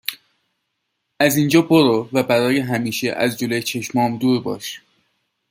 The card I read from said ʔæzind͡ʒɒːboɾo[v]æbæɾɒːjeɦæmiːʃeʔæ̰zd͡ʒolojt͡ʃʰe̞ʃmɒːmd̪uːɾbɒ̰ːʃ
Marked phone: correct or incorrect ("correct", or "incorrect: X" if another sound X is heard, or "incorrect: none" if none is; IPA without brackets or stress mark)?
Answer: correct